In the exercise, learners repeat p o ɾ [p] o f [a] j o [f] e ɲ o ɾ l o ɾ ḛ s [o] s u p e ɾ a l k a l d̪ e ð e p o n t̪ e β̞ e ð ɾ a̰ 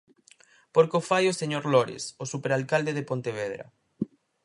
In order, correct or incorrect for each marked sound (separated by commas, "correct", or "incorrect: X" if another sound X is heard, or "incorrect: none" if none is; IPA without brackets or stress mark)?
incorrect: k, correct, incorrect: s, correct